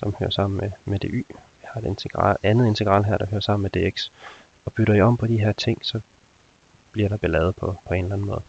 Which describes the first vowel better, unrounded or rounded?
rounded